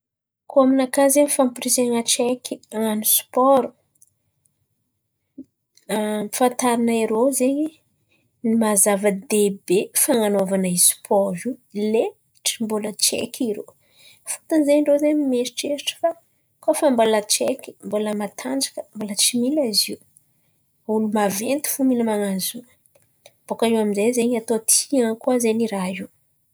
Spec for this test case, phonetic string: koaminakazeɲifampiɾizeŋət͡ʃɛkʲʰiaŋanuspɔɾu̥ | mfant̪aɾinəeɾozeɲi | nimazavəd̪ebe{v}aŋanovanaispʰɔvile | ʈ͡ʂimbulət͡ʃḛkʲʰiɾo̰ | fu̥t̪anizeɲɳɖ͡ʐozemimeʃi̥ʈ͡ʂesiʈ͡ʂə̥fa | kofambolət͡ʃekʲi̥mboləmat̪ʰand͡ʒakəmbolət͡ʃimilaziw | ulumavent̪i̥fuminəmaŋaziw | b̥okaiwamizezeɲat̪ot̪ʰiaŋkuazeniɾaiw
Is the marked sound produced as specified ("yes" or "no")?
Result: no